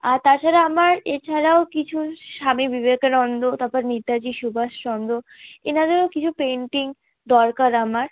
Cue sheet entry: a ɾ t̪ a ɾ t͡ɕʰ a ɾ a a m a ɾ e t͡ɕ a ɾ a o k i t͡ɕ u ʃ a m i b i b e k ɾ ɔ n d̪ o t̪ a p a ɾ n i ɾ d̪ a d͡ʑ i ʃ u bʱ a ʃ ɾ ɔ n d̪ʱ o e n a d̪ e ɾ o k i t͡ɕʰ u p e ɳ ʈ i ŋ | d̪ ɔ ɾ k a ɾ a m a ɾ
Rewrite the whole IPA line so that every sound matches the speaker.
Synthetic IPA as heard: a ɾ t̪ a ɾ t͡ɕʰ a ɾ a a m a ɾ e t͡ɕʰ a ɾ a o k i t͡ɕʰ u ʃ a m i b i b e k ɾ ɔ n d̪ o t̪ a p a ɾ n i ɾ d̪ a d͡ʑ i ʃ u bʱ a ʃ ɾ ɔ n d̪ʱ o e n a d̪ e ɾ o k i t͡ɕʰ u p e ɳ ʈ i ŋ | d̪ ɔ ɾ k a ɾ a m a ɾ